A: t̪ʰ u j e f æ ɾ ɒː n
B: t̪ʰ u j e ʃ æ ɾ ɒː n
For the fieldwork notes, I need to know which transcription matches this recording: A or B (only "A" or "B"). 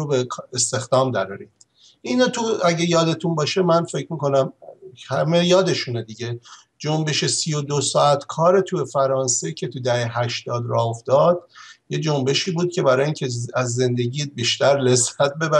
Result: A